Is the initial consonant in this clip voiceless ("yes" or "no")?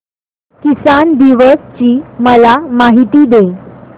yes